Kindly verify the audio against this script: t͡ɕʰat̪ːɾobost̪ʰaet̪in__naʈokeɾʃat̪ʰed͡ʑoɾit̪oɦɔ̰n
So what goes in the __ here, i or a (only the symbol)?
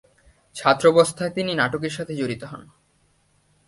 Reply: i